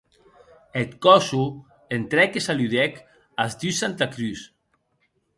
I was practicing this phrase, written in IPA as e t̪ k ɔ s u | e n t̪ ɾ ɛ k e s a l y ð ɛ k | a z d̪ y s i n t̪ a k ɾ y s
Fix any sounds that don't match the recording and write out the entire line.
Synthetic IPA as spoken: e t̪ k ɔ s u | e n t̪ ɾ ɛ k e s a l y ð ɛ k | a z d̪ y s a n t̪ a k ɾ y s